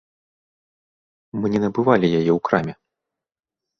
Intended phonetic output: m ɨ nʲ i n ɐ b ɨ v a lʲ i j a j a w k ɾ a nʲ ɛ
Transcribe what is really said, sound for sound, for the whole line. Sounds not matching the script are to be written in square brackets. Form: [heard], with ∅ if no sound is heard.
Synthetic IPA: m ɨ nʲ [ɛ] n ɐ b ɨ v a lʲ i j a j [ɛ] w k ɾ a [mʲ] ɛ